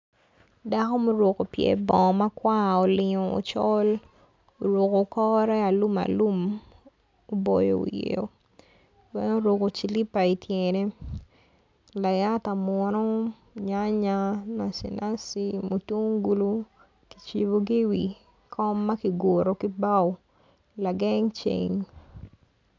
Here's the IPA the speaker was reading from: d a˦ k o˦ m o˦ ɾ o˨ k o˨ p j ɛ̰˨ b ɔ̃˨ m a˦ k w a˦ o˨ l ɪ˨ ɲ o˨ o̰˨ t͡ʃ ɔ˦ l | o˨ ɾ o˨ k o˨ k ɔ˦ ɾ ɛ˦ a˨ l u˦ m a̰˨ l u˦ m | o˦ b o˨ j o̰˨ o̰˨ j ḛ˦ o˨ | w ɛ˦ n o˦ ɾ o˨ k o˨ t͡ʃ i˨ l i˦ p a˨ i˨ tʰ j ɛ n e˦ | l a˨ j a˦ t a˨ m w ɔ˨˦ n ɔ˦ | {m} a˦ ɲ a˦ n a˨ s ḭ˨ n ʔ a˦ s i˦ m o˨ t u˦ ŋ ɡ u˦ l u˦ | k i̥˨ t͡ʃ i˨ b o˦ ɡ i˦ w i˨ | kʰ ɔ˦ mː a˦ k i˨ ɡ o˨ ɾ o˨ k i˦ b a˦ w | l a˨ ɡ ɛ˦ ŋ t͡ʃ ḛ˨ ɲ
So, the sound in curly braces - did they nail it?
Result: no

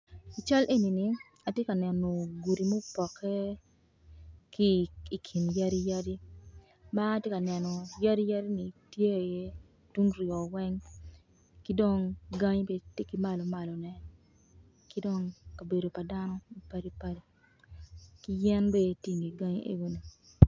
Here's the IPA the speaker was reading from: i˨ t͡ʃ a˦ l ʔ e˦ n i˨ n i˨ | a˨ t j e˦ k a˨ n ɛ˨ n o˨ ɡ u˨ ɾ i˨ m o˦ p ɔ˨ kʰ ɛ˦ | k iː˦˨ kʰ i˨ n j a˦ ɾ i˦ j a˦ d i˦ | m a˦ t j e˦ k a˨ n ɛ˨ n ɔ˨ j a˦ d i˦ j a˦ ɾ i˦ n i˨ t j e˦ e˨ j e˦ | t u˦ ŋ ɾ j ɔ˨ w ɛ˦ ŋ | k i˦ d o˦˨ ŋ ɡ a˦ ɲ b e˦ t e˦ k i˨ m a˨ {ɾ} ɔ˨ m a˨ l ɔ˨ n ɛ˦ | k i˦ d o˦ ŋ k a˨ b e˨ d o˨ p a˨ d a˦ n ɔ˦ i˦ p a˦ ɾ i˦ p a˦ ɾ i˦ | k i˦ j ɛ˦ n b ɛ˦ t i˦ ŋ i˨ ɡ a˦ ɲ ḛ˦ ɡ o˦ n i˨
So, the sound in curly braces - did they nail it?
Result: no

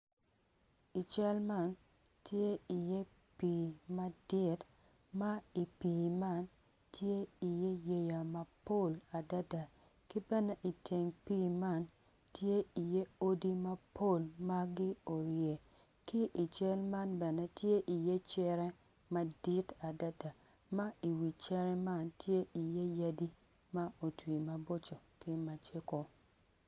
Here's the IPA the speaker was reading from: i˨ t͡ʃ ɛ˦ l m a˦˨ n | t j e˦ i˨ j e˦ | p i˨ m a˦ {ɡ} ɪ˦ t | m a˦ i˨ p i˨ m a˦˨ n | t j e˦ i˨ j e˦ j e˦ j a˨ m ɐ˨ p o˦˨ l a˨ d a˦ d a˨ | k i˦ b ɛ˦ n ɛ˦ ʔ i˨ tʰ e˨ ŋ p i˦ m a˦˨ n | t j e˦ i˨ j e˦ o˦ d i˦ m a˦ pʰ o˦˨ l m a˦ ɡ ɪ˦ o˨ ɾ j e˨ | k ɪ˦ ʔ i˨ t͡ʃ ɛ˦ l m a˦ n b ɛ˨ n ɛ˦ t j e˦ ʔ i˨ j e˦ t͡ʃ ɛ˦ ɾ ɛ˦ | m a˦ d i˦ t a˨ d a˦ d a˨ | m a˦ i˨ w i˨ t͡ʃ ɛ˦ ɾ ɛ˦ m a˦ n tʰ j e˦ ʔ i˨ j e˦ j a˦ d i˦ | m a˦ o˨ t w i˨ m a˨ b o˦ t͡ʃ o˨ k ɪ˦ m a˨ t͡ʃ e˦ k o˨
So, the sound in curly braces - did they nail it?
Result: no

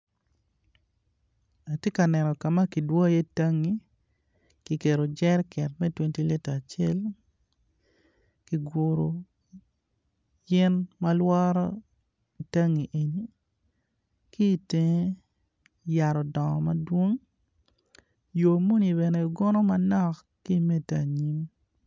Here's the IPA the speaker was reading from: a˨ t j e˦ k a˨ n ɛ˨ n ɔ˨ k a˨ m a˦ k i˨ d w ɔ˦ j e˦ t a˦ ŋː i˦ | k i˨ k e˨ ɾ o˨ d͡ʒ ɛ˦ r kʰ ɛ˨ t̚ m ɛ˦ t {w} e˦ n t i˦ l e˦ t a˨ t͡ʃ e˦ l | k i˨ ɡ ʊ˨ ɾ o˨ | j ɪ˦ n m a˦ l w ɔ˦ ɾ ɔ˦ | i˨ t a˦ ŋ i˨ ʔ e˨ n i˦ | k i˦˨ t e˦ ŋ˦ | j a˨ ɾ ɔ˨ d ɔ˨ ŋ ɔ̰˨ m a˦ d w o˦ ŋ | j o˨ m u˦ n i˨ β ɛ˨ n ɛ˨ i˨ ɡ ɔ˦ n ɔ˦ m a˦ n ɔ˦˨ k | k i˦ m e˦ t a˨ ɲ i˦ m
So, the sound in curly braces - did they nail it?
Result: yes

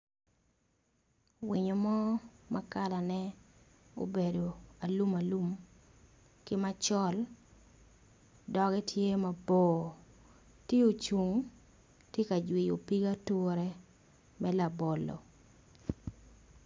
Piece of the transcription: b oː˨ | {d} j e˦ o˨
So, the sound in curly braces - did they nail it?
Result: no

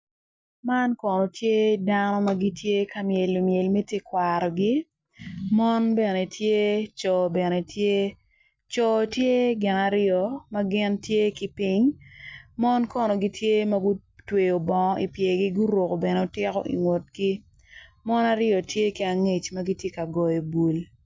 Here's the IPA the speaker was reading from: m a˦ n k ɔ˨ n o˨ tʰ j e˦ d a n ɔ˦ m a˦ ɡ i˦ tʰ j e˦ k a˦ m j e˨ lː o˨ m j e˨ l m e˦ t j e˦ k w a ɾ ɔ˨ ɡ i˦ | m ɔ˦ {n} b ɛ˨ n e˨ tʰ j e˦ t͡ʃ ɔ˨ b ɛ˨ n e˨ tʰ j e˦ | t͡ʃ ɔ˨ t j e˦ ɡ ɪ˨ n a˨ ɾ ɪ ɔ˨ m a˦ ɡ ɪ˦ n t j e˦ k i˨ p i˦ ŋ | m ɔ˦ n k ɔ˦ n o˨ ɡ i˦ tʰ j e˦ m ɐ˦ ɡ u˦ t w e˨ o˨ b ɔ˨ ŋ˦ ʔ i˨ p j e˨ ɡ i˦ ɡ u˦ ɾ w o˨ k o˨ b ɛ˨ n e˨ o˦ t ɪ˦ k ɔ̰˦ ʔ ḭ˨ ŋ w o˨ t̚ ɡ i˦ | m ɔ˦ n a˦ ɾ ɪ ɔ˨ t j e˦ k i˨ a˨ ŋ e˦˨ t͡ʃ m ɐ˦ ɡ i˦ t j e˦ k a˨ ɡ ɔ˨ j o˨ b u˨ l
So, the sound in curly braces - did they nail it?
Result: yes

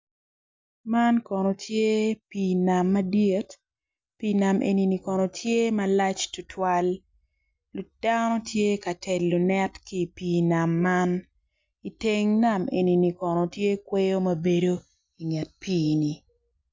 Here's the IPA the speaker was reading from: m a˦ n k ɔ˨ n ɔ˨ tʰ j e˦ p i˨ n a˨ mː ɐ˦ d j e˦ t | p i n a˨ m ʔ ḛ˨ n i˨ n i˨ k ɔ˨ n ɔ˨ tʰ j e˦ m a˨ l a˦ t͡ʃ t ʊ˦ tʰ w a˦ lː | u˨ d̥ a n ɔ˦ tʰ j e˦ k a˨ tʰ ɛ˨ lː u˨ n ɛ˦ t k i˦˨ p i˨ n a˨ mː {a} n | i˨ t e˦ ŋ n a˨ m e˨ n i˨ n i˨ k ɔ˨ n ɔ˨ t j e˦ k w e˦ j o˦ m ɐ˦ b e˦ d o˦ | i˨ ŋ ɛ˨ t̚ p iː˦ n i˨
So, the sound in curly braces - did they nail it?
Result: yes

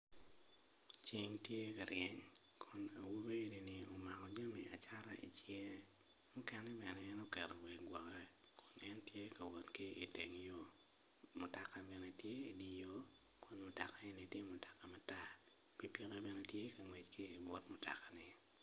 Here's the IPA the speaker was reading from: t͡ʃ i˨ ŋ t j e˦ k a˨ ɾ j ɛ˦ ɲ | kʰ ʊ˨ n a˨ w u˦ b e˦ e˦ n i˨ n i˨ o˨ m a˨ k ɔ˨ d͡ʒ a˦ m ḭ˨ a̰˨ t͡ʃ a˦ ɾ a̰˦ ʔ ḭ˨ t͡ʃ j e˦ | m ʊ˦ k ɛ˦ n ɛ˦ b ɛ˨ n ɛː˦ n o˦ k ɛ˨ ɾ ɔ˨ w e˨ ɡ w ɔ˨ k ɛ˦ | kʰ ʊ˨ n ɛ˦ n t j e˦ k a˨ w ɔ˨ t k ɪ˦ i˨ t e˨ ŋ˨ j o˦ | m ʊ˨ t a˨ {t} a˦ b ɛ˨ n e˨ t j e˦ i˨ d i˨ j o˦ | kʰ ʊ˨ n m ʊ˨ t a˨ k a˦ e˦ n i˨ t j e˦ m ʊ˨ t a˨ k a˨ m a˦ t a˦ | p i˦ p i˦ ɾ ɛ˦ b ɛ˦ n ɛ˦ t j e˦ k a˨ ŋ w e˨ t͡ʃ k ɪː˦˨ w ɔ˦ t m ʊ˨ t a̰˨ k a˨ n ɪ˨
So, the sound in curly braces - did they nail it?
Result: no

